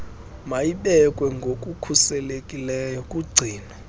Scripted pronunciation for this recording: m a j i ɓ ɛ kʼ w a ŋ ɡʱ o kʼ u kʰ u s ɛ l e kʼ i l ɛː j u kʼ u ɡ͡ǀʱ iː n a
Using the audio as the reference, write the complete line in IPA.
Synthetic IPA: m a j i ɓ ɛ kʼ w ɛ ŋ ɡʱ o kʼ u kʰ u s ɛ l e kʼ i l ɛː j ɔ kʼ u ɡ͡ǀʱ iː n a

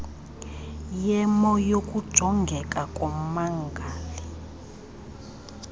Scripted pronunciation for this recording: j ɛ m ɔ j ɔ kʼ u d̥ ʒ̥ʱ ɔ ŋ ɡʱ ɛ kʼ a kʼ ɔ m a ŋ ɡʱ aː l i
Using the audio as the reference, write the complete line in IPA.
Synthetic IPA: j ɛ m ɔ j o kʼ u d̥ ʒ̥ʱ ɔ ŋ ɡʱ ɛ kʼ a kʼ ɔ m a ŋ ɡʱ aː l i

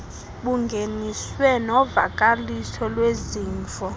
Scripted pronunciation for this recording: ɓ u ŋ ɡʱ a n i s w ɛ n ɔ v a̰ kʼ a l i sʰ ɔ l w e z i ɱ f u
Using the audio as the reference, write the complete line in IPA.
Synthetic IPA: ɓ u ŋ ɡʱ e n i s w ɛ n ɔ v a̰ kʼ a l i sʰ ɔ l w e z iː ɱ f ɔ

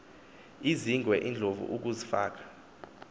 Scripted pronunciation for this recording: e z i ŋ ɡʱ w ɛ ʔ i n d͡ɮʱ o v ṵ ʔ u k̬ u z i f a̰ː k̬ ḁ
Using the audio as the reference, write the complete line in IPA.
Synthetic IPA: i z i ŋ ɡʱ w ɛ ʔ i n d͡ɮʱ o v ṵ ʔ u k̬ u z i f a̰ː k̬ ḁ

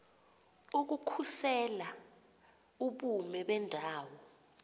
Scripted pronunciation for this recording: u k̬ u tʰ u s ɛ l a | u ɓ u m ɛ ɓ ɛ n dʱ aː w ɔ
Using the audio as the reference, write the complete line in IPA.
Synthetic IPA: u k̬ u kʰ u s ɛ l a | u ɓ u m ɛ ɓ ɛ n dʱ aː w ɔ

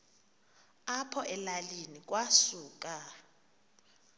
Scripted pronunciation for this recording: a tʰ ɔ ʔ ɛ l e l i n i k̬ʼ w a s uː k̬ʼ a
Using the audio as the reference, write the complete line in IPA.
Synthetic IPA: a pʰ ɔ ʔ ɛ l a l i n i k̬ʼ w a s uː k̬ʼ a

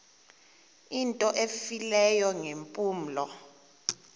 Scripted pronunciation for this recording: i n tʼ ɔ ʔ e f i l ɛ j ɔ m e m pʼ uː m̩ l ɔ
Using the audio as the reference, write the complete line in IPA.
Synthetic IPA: i n tʼ ɔ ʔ e f i l ɛ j ɔ ŋ e m pʼ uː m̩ l ɔ

